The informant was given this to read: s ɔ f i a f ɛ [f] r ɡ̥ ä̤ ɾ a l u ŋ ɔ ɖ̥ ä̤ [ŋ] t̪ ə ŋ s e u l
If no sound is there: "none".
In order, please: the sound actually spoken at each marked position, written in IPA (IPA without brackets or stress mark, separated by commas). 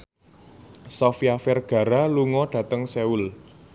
none, none